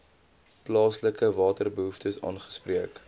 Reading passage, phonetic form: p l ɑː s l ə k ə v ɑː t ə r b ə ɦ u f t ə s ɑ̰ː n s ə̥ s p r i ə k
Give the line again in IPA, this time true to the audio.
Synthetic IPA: p l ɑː s l ə k ə v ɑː t ə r b ə ɦ u f t ə s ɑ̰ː n χ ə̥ s p r i ə k